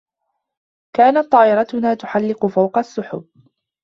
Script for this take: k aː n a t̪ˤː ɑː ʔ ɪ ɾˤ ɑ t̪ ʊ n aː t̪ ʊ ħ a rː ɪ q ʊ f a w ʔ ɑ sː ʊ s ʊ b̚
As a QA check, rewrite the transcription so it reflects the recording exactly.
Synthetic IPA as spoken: k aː n a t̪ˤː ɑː ʔ ɪ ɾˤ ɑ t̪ ʊ n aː t̪ ʊ ħ a lː ɪ q ʊ f a w q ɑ sː ʊ ħ ʊ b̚